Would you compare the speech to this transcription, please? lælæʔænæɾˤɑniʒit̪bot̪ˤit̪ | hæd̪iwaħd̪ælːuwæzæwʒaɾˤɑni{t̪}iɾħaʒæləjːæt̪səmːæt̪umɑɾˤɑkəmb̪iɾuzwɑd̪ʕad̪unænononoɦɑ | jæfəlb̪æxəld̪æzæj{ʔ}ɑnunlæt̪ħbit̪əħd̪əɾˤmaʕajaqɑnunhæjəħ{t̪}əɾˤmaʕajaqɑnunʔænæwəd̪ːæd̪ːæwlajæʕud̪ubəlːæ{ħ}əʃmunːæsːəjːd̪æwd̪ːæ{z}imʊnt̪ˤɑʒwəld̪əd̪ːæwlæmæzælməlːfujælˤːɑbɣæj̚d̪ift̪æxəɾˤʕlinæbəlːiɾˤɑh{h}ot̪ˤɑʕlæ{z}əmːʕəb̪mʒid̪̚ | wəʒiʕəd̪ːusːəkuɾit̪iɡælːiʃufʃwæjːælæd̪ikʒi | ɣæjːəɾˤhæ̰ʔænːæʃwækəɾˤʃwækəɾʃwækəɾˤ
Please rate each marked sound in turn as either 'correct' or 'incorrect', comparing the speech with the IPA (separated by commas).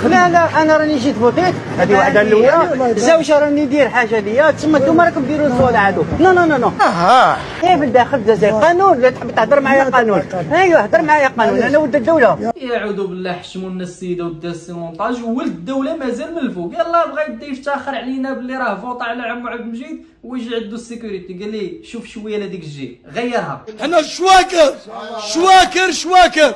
incorrect, incorrect, incorrect, correct, incorrect, incorrect, incorrect